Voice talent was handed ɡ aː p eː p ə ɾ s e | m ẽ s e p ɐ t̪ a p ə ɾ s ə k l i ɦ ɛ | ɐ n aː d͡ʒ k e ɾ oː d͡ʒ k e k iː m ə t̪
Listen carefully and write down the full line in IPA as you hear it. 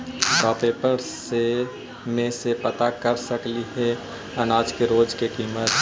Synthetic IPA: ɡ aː p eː p ə ɾ s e | m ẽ s e p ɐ t̪ a k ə ɾ s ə k l i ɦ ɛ | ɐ n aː d͡ʒ k e ɾ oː d͡ʒ k e k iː m ə t̪